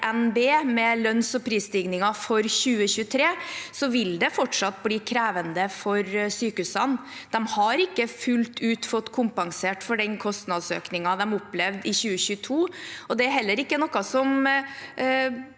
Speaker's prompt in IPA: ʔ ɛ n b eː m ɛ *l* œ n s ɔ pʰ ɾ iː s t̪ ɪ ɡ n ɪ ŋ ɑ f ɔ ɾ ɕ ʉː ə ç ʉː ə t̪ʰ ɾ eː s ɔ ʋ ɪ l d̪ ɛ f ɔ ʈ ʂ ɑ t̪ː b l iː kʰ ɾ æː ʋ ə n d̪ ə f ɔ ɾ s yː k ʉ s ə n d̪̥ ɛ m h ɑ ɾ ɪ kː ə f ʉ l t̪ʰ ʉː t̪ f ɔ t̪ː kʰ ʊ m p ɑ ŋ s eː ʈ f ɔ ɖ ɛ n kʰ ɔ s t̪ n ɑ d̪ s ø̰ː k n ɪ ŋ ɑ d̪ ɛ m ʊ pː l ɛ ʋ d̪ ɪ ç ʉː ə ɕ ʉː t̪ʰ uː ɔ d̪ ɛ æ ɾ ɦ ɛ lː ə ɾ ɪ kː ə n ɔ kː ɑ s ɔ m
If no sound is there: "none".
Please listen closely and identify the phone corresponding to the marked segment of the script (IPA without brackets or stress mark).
l